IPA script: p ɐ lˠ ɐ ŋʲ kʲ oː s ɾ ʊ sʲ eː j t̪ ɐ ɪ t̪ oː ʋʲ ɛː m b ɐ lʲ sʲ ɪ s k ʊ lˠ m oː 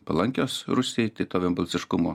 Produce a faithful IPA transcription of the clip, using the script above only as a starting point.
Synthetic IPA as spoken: p ɐ lˠ ɐ ŋʲ kʲ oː s ɾ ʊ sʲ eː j t̪ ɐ ɪ t̪ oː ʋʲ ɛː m b ɐ lʲ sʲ ɪ ʃ k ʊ m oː